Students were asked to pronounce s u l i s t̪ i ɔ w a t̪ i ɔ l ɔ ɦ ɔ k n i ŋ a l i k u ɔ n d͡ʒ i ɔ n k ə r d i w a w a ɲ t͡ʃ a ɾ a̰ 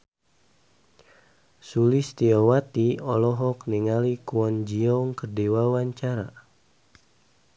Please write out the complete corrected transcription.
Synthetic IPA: s u l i s t̪ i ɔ w a t̪ i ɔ l ɔ ɦ ɔ k n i ŋ a l i k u ɔ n d͡ʒ i ɔ ŋ k ə r d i w a w a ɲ t͡ʃ a ɾ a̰